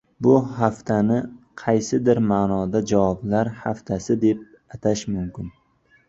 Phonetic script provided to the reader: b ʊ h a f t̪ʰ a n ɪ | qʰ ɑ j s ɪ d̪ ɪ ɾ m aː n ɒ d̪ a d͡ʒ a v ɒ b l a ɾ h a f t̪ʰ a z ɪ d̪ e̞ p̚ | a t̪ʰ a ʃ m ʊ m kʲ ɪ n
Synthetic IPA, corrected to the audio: b ʊ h a f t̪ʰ a n ɪ | qʰ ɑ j s ɪ d̪ ɪ ɾ m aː n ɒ d̪ a d͡ʒ a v ɒ b l a ɾ h a f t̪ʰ a s ɪ d̪ e̞ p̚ | a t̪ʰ a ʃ m ʊ m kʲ ɪ n